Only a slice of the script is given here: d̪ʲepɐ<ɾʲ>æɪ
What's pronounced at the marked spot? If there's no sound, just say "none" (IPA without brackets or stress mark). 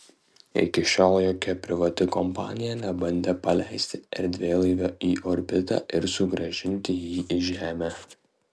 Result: lʲ